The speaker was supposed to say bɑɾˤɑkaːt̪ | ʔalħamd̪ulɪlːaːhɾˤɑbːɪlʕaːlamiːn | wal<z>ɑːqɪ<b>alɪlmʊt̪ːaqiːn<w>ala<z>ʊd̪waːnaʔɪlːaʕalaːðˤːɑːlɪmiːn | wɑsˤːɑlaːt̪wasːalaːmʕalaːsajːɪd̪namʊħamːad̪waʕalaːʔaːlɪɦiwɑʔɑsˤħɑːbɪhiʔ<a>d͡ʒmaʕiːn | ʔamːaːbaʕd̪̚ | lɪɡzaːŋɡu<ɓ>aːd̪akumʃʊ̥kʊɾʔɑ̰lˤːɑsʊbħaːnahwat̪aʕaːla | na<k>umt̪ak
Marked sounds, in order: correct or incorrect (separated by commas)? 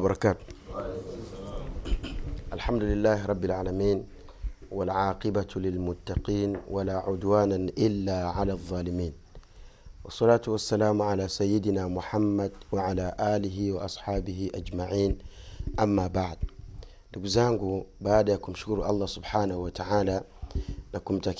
incorrect, correct, correct, incorrect, correct, incorrect, correct